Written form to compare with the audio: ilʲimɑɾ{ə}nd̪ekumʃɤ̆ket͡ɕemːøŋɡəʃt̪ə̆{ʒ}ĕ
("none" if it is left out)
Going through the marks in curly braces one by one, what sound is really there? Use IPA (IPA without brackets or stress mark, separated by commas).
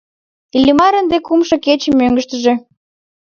ə, ʒ